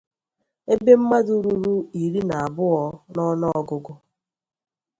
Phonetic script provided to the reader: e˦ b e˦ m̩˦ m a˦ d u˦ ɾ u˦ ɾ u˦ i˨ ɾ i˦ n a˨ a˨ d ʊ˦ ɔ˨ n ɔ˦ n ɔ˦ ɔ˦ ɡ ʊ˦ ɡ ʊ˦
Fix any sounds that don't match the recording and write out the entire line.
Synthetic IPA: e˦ b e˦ m̩˦ m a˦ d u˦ ɾ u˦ ɾ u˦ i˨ ɾ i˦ n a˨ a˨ b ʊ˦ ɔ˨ n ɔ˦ n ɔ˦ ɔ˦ ɡ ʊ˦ ɡ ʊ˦

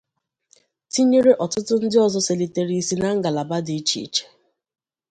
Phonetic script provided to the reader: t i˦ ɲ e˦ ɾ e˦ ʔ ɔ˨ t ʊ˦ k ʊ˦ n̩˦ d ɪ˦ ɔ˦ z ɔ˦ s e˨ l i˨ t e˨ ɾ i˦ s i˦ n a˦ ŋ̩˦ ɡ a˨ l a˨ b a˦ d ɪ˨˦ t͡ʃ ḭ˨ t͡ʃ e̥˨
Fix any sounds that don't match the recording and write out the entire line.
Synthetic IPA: t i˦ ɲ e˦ ɾ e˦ ʔ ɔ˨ t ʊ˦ t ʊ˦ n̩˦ d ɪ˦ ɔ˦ z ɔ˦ s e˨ l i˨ t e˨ ɾ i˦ s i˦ n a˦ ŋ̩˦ ɡ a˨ l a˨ b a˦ d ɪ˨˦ t͡ʃ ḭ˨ t͡ʃ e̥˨

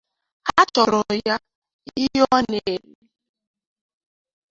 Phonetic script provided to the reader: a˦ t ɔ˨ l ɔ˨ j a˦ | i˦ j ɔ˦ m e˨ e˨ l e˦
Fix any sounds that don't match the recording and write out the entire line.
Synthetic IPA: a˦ t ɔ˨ ɾ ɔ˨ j a˦ | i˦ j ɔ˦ n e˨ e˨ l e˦

